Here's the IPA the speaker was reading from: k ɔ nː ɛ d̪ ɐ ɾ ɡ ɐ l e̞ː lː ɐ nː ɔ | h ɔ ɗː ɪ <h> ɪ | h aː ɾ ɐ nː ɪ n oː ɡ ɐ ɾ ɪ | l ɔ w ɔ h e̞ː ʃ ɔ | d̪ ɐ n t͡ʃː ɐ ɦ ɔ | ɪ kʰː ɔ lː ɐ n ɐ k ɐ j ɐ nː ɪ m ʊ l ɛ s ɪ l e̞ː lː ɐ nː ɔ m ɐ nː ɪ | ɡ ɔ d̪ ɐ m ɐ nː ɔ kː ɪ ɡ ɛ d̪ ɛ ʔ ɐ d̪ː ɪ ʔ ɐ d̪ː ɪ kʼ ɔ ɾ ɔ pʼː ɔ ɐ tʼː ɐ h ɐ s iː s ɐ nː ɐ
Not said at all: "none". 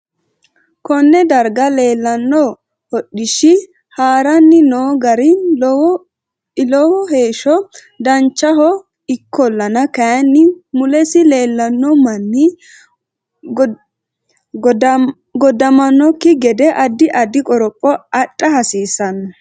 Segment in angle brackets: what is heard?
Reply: ʃ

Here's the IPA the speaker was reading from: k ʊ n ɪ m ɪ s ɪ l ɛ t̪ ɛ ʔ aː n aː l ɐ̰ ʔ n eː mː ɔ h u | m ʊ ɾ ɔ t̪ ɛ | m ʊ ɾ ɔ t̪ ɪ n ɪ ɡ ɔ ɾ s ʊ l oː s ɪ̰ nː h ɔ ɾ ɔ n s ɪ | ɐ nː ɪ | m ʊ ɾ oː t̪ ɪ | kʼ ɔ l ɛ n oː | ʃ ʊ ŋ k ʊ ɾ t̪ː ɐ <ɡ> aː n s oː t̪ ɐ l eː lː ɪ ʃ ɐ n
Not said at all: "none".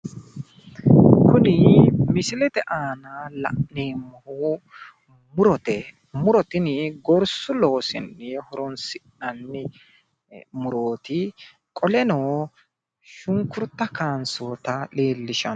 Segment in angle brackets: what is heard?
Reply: k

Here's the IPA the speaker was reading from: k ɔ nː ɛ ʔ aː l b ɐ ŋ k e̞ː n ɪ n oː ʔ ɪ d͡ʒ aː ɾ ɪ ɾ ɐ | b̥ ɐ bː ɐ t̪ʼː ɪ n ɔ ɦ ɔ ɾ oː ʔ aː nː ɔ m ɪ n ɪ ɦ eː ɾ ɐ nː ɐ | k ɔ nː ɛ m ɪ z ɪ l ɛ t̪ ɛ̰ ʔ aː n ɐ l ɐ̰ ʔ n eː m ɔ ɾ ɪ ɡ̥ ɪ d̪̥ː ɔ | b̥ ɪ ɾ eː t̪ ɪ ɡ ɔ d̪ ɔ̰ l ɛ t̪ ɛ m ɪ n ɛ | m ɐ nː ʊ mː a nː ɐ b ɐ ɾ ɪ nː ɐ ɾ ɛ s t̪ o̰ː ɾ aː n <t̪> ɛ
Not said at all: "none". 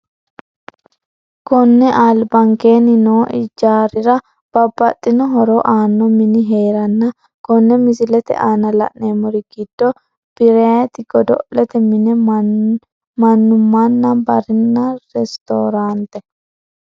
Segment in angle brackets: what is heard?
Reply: t̪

